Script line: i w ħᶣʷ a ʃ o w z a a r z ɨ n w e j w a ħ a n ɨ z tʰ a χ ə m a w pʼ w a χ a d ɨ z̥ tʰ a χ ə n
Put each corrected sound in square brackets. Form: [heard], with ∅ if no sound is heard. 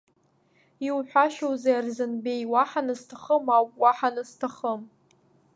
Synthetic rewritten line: i w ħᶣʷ a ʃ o w z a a r z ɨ n [b] e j w a ħ a n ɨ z tʰ a χ ə m a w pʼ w a [ħ] a [n] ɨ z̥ tʰ a χ ə [m]